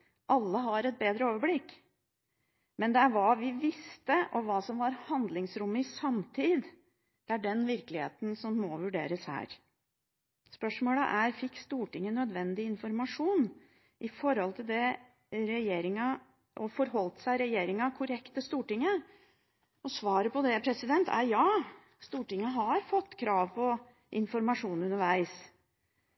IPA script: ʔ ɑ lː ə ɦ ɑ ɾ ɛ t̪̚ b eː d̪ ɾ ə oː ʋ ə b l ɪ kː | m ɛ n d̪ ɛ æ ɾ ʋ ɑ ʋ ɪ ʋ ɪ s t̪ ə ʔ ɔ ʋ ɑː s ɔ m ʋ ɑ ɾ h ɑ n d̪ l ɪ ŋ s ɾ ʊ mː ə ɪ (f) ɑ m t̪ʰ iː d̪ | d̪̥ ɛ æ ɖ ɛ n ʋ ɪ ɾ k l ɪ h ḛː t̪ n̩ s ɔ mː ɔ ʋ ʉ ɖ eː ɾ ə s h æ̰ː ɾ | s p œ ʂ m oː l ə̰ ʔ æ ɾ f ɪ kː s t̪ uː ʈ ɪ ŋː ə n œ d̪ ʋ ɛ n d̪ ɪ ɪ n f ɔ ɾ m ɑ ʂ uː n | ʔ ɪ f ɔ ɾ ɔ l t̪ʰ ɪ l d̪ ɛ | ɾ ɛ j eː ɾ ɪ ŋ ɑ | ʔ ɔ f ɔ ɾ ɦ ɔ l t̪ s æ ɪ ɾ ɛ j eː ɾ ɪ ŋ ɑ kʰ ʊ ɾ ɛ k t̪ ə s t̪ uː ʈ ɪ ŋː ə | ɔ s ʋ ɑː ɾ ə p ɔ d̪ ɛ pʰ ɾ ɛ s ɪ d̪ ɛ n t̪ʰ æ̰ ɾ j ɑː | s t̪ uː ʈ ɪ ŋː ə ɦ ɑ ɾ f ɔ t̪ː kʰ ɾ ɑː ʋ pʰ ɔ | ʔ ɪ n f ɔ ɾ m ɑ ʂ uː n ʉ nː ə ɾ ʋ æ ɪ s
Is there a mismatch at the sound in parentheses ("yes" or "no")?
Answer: yes